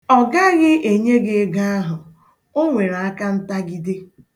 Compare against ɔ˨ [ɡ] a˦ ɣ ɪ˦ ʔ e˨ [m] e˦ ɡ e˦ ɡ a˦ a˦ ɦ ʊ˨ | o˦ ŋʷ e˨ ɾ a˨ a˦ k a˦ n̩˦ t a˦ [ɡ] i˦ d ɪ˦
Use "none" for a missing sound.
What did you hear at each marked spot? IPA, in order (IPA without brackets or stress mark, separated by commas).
ɡ, ɲ, ɡ